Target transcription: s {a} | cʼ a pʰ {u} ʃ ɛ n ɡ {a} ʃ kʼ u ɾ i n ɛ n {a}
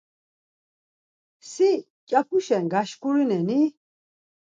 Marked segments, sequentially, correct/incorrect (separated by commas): incorrect, correct, correct, incorrect